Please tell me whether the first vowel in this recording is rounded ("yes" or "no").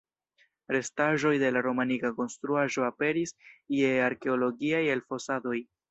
no